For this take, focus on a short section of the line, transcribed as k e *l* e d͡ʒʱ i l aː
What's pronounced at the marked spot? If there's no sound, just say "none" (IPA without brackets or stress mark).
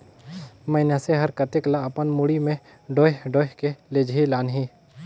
l